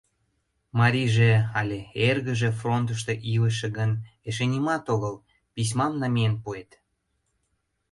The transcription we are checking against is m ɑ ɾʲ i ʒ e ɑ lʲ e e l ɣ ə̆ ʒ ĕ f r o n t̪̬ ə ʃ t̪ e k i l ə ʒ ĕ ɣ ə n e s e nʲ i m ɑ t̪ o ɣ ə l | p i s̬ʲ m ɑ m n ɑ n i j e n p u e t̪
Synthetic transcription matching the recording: m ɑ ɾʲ i ʒ e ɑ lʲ e e r ɣ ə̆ ʒ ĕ f r o n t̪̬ ə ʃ t̪ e ʔ i l ə ʃ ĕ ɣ ə n e ʃ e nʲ i m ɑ t̪ o ɣ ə l | p i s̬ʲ m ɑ m n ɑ m i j e n p u e t̪